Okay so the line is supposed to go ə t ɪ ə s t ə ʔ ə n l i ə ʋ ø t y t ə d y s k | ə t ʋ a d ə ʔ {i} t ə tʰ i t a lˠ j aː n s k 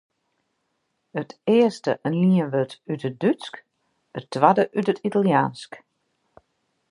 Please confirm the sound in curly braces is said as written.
no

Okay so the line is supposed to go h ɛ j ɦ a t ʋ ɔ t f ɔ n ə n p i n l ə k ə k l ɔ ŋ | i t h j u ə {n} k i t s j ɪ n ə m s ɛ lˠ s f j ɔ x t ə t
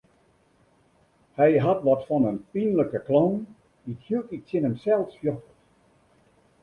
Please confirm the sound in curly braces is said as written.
no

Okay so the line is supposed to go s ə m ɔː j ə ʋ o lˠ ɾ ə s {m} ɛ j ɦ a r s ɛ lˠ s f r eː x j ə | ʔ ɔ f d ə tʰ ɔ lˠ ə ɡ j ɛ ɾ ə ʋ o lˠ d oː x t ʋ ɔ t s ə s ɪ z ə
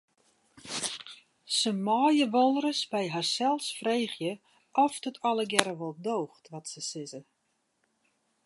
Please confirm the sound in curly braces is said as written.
no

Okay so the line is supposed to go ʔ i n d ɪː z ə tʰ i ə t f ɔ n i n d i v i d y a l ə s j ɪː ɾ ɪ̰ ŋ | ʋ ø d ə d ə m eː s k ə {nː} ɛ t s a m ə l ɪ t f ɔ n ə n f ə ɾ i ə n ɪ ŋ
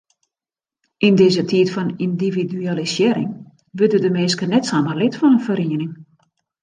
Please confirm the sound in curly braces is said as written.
no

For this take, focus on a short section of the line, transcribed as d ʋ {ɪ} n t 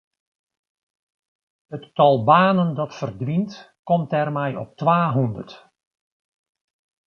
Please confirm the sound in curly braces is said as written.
no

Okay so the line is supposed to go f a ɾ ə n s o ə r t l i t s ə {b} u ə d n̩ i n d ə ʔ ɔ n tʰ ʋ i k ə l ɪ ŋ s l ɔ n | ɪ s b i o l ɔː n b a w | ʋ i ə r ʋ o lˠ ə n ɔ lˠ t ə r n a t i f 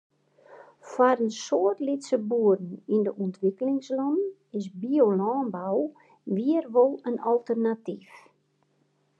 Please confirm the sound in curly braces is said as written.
yes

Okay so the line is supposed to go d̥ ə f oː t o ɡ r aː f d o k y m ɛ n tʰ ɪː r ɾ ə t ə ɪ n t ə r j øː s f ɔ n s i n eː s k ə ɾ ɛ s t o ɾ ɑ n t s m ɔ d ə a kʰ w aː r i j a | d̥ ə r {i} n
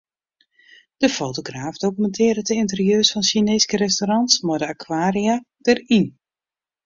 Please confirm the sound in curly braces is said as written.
yes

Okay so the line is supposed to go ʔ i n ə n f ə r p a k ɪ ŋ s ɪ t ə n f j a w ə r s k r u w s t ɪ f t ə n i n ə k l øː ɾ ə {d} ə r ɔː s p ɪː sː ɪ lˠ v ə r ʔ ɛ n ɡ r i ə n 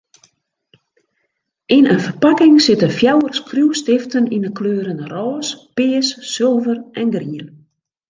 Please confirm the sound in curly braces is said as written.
no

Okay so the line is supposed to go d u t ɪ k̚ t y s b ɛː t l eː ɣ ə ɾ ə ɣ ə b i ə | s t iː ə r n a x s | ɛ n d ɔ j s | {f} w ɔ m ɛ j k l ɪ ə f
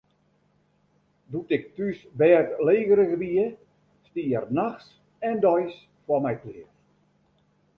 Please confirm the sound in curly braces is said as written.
yes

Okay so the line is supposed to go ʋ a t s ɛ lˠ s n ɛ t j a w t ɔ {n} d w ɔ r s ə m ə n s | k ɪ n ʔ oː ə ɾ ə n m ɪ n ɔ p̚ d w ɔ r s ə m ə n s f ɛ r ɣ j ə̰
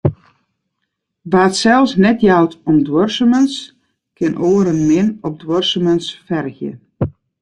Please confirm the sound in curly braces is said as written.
no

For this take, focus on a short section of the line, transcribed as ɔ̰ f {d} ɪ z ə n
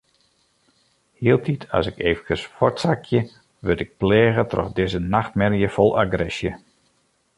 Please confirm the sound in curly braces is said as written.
yes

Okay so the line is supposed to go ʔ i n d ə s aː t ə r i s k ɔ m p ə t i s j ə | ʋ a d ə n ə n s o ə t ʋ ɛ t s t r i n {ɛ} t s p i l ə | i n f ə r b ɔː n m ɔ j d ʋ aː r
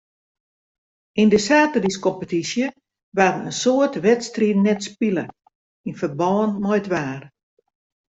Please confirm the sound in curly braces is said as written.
yes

